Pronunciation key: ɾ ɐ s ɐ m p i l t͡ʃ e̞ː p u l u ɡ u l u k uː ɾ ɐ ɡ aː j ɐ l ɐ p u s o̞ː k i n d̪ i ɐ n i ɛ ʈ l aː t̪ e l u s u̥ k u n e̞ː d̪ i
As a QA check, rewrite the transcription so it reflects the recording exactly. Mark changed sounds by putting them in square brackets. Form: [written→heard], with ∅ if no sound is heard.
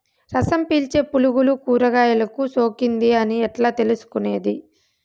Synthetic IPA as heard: ɾ ɐ s ɐ m p [i→iː] l t͡ʃ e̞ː p u l u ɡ u l u k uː ɾ ɐ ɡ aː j ɐ l ɐ [p→k] u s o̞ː k i n d̪ i ɐ n i ɛ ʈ l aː t̪ e l u s u̥ k u n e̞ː d̪ i